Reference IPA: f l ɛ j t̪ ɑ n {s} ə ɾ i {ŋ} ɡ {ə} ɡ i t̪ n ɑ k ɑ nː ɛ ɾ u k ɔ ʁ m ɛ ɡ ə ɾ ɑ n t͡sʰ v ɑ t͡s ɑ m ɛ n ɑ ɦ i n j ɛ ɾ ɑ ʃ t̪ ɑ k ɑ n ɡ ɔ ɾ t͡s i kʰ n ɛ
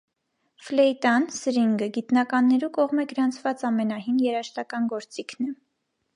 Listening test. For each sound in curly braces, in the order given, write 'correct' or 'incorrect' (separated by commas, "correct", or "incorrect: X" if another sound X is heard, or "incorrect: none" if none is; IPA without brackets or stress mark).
correct, correct, correct